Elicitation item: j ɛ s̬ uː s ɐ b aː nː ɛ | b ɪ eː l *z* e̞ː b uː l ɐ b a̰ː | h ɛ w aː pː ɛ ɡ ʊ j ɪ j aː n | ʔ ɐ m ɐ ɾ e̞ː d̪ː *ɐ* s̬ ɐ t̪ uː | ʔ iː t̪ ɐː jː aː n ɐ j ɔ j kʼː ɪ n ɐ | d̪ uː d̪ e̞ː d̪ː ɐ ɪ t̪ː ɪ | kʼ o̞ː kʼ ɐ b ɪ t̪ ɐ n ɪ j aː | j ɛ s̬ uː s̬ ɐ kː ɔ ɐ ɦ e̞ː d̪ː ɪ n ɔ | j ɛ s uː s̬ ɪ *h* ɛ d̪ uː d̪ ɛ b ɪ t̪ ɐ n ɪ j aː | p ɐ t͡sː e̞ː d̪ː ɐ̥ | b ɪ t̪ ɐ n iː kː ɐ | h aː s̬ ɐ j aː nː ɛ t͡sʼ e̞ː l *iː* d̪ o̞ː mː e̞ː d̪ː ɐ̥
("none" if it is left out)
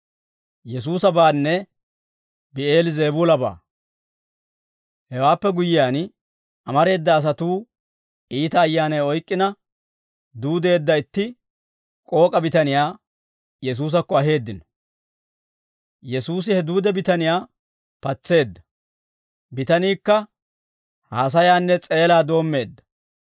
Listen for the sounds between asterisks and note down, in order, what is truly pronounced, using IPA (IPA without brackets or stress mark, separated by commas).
z, ɐː, h, aː